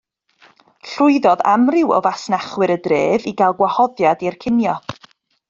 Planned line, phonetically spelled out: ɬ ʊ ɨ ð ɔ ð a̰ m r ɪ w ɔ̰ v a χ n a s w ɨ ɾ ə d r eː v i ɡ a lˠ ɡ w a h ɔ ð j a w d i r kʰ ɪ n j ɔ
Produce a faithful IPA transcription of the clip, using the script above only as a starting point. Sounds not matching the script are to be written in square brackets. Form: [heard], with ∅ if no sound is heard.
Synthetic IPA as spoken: ɬ ʊ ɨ ð ɔ ð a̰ m r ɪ w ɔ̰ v a [s] n a [χ] w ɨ ɾ ə d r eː v i ɡ a lˠ ɡ w a h ɔ ð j a [∅] d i r kʰ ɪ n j ɔ